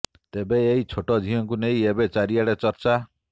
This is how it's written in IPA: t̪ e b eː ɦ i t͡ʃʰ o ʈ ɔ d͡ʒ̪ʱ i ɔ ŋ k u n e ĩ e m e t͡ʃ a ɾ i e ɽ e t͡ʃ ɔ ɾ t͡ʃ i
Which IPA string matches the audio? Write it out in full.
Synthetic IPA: t̪ e b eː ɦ i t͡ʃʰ o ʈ ɔ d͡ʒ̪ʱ i ɔ ŋ k u n e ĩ e b e t͡ʃ a ɾ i a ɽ e t͡ʃ ɔ ɾ t͡ʃ a